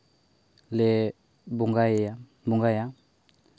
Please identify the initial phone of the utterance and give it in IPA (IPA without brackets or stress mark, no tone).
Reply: l